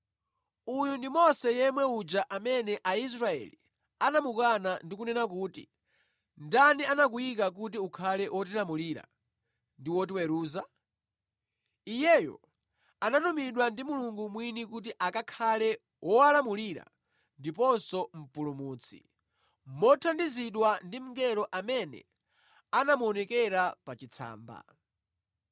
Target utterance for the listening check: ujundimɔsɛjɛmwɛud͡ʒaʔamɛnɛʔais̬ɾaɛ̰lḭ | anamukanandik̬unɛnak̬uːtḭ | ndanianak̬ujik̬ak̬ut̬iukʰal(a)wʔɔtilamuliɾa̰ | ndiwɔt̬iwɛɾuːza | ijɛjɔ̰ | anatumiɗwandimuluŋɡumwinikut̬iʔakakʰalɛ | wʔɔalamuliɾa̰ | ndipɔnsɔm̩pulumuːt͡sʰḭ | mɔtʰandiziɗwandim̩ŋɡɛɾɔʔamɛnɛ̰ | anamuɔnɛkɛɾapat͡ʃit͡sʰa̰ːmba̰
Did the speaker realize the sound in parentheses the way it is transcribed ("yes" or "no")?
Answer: no